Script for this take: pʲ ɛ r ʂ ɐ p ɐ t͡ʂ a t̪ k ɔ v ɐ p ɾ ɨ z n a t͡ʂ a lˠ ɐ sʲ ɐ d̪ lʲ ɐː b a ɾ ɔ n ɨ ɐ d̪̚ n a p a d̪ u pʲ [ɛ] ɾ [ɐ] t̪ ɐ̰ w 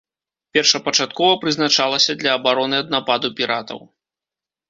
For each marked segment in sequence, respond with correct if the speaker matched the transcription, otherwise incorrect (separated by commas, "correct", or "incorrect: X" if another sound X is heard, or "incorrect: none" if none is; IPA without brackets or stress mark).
incorrect: i, incorrect: a